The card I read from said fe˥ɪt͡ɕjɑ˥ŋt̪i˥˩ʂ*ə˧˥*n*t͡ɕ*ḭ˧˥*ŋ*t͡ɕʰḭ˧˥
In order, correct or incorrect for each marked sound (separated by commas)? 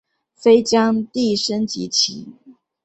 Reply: incorrect, correct, incorrect